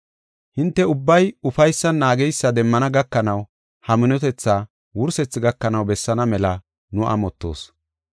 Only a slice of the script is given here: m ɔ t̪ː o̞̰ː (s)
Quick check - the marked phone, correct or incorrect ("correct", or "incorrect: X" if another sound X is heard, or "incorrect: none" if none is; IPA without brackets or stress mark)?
correct